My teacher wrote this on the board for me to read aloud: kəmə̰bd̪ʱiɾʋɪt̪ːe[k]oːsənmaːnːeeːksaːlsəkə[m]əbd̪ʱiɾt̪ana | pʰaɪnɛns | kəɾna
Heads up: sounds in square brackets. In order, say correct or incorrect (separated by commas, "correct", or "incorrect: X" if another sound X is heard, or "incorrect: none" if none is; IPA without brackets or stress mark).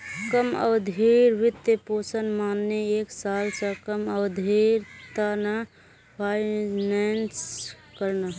incorrect: p, correct